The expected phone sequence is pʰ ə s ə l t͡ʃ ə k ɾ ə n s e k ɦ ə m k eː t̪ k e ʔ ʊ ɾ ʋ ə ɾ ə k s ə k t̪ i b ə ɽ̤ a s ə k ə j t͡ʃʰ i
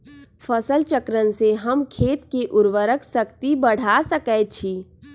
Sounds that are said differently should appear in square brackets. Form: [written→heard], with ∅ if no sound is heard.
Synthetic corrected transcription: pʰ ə s ə l t͡ʃ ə k ɾ ə n s e [k→∅] ɦ ə m [k→kʰ] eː t̪ k e ʔ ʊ ɾ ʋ ə ɾ ə k s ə k t̪ i b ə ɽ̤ a s ə k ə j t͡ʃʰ i